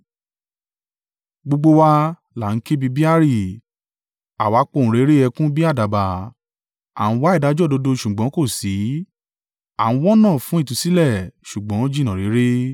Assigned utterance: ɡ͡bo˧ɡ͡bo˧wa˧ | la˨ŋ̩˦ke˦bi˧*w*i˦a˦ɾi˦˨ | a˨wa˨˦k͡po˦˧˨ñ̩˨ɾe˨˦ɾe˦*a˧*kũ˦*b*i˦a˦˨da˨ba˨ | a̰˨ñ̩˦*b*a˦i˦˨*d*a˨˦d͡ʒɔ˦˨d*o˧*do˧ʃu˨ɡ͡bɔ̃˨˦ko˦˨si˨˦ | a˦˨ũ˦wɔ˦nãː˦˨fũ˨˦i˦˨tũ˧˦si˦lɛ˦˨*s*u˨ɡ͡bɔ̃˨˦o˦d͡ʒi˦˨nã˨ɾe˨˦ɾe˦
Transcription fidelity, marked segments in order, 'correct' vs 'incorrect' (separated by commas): incorrect, incorrect, correct, incorrect, correct, correct, incorrect